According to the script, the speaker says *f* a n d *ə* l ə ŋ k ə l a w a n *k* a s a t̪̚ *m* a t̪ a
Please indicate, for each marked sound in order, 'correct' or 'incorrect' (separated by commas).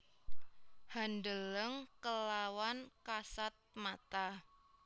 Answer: incorrect, correct, correct, correct